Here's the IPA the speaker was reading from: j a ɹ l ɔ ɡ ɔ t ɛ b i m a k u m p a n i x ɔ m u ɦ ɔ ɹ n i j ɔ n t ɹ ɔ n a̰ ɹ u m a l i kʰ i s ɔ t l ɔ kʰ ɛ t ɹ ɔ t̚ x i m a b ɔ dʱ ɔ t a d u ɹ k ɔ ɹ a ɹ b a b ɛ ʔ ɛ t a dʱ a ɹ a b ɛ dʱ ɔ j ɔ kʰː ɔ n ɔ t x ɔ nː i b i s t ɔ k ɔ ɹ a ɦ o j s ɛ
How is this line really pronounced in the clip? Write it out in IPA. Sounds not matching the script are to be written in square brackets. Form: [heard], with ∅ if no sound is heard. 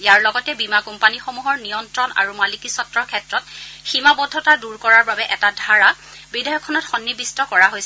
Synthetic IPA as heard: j a ɹ l ɔ ɡ ɔ t ɛ b i m a k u m p a n i x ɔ m u ɦ ɔ ɹ n i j ɔ n t ɹ ɔ n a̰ ɹ u m a l i [k] i s ɔ t [ɹ] ɔ kʰ ɛ t ɹ ɔ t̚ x i m a b ɔ dʱ ɔ t a d u ɹ k ɔ ɹ a ɹ b a b ɛ ʔ ɛ t a dʱ a ɹ a b [i] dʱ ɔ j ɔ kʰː ɔ n ɔ t x ɔ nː i b i s t ɔ k ɔ ɹ a ɦ o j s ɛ